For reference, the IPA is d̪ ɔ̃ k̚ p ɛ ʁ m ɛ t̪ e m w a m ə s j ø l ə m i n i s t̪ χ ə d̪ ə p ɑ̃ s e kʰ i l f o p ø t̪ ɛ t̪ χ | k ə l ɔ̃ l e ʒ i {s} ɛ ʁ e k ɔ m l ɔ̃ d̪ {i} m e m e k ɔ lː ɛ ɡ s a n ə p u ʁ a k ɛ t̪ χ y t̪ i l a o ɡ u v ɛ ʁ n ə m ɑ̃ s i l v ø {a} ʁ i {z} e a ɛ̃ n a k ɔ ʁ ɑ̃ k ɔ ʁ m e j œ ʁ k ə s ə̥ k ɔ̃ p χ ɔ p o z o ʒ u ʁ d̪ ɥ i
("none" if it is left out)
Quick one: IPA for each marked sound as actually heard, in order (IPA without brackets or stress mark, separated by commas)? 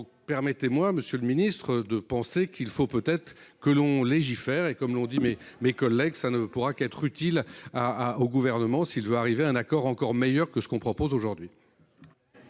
f, i, a, v